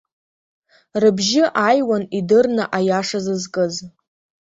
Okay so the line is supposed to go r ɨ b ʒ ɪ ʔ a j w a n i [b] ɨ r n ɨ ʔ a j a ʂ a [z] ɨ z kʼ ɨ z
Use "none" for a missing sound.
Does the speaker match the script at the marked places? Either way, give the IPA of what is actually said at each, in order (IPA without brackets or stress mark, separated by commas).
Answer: d, z